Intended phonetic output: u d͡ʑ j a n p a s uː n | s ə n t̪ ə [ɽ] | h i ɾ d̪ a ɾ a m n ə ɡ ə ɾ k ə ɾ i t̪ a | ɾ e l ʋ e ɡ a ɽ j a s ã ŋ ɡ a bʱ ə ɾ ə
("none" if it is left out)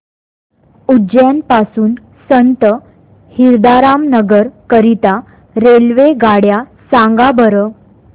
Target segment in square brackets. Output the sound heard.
none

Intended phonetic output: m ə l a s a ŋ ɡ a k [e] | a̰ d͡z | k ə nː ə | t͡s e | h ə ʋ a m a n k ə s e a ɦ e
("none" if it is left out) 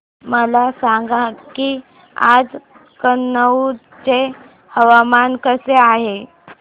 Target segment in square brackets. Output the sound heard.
i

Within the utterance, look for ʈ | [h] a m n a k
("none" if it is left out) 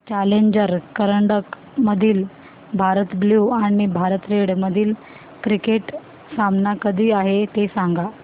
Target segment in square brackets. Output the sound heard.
s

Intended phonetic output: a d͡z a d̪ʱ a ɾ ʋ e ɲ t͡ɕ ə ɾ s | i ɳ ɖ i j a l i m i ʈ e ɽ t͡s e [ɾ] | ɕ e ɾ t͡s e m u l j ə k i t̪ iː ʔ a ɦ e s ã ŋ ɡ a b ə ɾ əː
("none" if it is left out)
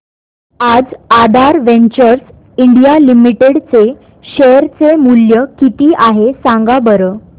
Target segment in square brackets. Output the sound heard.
none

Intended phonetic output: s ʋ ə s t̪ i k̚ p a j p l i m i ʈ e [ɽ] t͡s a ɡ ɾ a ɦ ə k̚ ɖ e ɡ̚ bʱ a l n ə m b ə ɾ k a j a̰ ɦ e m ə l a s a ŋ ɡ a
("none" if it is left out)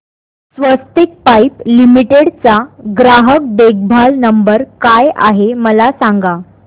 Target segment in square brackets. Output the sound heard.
ɽ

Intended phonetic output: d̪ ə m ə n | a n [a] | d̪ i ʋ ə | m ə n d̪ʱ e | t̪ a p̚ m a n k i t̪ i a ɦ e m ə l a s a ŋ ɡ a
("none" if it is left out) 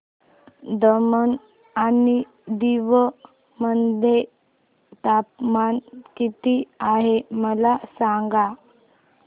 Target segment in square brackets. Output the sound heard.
i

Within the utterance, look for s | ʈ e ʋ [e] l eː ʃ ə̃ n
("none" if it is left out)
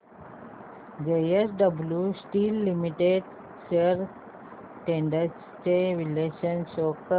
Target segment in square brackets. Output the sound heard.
i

